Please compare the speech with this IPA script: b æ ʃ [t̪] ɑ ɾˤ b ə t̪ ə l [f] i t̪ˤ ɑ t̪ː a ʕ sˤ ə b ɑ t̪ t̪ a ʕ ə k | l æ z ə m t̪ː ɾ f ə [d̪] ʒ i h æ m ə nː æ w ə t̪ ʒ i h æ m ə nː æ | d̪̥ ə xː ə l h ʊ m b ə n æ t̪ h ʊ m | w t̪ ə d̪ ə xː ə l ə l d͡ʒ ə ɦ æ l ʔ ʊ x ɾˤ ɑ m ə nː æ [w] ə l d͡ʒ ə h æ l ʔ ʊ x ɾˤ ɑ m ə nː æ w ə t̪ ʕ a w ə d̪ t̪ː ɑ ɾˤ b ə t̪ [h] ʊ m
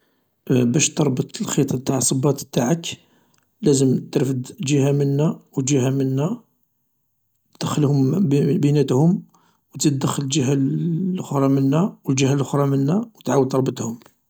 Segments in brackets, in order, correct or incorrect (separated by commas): correct, incorrect, correct, correct, correct